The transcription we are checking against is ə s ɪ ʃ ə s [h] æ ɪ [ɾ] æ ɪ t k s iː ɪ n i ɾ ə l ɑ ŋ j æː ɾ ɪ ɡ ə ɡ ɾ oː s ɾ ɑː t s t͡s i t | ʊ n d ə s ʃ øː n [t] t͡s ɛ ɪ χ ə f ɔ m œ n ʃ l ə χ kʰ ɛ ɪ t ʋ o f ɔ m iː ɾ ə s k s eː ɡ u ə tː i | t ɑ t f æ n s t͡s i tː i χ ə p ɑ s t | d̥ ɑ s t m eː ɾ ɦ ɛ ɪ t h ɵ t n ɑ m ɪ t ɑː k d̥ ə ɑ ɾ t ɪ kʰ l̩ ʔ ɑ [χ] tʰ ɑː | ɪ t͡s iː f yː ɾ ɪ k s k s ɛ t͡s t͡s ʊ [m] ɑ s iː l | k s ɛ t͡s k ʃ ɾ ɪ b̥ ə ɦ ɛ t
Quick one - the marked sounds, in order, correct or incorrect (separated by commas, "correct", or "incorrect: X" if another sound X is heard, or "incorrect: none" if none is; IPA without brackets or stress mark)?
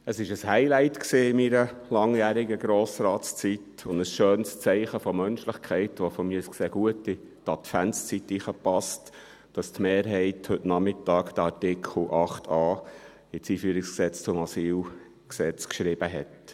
correct, incorrect: l, incorrect: s, correct, correct